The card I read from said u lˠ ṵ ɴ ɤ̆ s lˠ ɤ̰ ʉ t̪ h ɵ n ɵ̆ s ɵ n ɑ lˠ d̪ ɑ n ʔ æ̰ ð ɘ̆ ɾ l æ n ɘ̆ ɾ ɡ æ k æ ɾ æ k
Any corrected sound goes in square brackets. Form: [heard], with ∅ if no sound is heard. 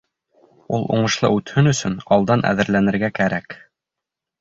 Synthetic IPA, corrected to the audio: u lˠ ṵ ɴ ɤ̆ [ʃ] lˠ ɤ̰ ʉ t̪ h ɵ n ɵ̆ s ɵ n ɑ lˠ d̪ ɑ n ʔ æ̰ ð ɘ̆ ɾ l æ n ɘ̆ ɾ ɡ æ k æ ɾ æ k